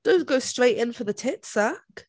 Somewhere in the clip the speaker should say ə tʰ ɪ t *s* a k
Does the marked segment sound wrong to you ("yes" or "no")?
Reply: no